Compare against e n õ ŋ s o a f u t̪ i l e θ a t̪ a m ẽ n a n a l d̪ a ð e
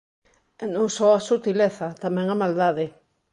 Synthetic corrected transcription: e n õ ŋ s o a s u t̪ i l e θ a t̪ a m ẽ ŋ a m a l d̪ a ð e